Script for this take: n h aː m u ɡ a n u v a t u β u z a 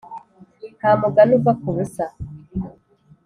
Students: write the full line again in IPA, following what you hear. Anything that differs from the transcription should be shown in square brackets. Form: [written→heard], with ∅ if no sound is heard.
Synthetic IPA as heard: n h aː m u ɡ a n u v a [t→k] u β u [z→s] a